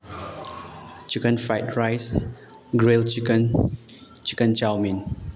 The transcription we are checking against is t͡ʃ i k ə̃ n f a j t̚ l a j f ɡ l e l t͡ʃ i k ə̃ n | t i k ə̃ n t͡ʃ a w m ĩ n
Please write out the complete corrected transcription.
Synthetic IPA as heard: t͡ʃ i k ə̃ n f a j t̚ ɹ a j s ɡ ɹ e l t͡ʃ i k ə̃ n | t͡ʃ i k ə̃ n t͡ʃ a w m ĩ n